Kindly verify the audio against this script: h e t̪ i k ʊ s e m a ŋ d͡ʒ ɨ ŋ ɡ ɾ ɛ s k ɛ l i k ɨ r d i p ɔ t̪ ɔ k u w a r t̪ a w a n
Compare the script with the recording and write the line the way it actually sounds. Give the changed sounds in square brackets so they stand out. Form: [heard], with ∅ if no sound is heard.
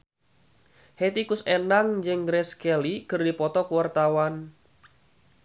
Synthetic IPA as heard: h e t̪ i k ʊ s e [n] a ŋ d͡ʒ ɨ ŋ ɡ ɾ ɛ s k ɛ l i k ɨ r d i p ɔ t̪ ɔ k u w a r t̪ a w a n